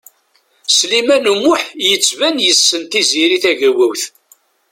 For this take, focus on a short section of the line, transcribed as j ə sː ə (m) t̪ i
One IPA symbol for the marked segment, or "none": n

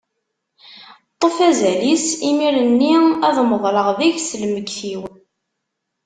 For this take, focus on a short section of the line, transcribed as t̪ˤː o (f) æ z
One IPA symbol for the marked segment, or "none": f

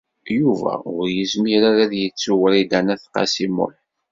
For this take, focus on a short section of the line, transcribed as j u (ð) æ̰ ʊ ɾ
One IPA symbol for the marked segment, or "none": v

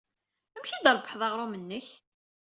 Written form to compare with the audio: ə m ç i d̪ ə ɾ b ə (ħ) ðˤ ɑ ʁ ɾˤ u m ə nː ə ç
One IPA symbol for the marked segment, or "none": ħ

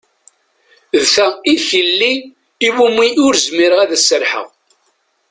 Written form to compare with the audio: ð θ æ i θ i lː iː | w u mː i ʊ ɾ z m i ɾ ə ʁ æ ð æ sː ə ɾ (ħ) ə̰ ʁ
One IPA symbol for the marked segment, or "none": ħ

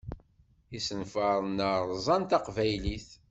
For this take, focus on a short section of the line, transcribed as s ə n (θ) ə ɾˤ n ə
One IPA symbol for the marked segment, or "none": f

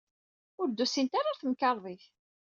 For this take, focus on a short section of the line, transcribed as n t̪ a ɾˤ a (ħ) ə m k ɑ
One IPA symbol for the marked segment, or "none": θ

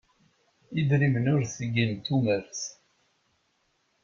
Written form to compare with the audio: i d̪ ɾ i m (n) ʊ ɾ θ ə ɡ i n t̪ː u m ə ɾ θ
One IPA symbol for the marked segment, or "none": n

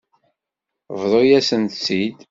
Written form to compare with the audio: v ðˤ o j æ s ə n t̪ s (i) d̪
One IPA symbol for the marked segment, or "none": i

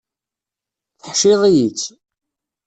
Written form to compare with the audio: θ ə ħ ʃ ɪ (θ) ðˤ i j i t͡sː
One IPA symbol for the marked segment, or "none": none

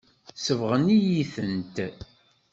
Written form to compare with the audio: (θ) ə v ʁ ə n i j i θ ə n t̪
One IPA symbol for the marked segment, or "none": s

